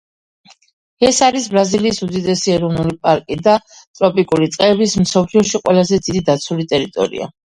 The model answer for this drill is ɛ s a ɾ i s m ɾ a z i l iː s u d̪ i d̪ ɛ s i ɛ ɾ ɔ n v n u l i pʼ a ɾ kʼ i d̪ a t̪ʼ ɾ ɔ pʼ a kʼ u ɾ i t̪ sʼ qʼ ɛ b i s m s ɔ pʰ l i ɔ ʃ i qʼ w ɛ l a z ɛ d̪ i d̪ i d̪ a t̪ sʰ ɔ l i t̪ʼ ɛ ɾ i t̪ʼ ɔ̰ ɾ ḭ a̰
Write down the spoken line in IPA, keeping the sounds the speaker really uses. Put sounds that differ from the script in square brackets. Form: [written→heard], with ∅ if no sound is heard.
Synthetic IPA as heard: ɛ s a ɾ i s [m→b] ɾ a z i l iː s u d̪ i d̪ ɛ s i ɛ ɾ ɔ [n→∅] v n u l i pʼ a ɾ kʼ i d̪ a t̪ʼ ɾ ɔ pʼ [a→i] kʼ u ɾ i t̪ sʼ qʼ ɛ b i s m s ɔ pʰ l i ɔ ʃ i qʼ w ɛ l a z ɛ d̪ i d̪ i d̪ a t̪ sʰ [ɔ→u] l i t̪ʼ ɛ ɾ i t̪ʼ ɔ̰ ɾ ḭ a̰